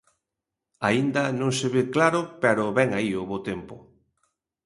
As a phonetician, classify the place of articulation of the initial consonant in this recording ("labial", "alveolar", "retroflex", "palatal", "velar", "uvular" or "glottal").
alveolar